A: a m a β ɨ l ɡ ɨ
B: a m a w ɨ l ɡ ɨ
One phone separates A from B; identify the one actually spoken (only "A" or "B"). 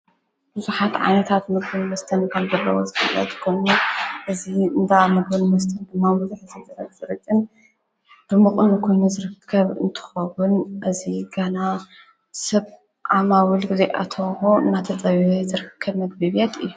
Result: B